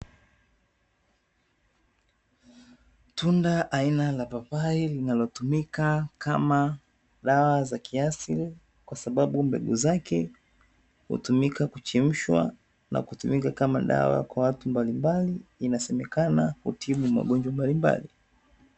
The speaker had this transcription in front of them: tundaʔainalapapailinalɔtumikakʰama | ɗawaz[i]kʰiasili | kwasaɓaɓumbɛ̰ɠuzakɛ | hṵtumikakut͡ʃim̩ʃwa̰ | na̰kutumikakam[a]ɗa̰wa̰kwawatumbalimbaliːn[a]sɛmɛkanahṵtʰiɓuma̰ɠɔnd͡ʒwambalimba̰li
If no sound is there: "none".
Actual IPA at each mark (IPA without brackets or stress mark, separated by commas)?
a, a, a